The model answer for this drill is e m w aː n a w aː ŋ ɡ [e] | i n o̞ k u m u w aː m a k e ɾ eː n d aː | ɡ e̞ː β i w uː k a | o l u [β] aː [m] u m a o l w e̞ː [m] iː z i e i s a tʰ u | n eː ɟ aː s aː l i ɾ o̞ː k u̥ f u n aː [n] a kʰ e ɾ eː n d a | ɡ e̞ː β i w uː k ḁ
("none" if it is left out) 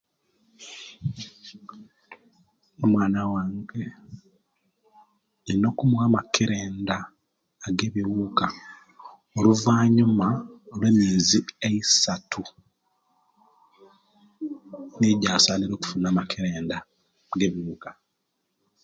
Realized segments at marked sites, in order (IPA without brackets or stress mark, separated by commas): e, v, ɲ, m, m